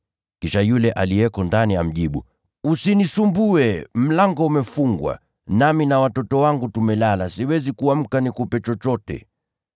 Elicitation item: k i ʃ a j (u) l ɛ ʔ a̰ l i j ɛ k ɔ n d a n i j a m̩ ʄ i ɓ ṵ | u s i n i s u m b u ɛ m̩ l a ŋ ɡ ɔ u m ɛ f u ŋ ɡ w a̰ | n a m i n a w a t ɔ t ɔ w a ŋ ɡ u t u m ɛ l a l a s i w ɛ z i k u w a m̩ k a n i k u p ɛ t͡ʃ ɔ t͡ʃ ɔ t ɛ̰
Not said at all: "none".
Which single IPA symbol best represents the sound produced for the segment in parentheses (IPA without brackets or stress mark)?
u